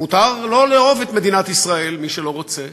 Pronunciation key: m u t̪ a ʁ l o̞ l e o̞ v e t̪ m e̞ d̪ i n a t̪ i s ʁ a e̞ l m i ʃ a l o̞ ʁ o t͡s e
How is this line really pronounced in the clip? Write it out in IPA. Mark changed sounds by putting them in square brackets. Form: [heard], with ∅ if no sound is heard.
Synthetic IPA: m u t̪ a ʁ l o̞ l e o̞ v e t̪ m e̞ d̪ i n a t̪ i s ʁ a e̞ l m i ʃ [e] l o̞ ʁ o t͡s e